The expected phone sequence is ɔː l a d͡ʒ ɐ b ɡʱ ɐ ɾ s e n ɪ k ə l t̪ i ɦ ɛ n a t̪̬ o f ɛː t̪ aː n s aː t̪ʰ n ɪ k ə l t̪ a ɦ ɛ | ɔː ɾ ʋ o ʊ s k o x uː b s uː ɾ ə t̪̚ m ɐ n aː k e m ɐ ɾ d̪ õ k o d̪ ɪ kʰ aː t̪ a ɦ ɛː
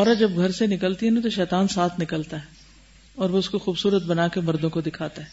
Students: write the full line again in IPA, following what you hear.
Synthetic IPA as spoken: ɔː ɾ a d͡ʒ ɐ b ɡʱ ɐ ɾ s e n ɪ k ə l t̪ i ɦ ɛ n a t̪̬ o ʃ ɛː t̪ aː n s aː t̪ʰ n ɪ k ə l t̪ a ɦ ɛ | ɔː ɾ ʋ o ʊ s k o x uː b s uː ɾ ə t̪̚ b ɐ n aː k e m ɐ ɾ d̪ õ k o d̪ ɪ kʰ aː t̪ a ɦ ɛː